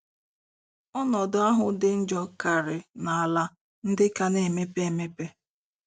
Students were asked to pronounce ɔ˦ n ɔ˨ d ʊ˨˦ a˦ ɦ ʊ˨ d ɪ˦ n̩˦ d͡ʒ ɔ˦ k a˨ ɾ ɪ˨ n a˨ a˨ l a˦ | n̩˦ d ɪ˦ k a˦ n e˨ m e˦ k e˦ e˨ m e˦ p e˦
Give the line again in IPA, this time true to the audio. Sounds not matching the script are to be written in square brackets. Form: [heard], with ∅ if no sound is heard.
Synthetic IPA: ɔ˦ n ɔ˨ d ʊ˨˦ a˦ ɦ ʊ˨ d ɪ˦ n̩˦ d͡ʒ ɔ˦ k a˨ ɾ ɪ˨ n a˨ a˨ l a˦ | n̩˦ d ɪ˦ k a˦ n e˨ m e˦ [p] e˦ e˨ m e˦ p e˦